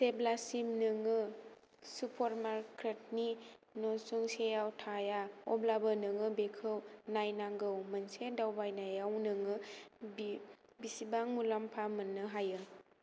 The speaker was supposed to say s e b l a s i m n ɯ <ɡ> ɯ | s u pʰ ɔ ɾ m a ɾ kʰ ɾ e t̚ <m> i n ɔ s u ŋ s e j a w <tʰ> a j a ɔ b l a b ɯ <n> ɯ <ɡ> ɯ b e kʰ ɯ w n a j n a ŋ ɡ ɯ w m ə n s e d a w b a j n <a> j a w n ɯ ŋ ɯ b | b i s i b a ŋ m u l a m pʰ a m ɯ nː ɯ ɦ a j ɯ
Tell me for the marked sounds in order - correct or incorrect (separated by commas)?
incorrect, incorrect, correct, correct, incorrect, correct